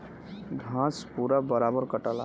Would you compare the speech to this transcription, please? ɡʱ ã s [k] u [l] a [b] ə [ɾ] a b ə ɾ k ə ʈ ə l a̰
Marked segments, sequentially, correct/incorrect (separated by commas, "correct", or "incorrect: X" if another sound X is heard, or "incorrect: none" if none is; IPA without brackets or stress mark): incorrect: p, incorrect: ɾ, correct, correct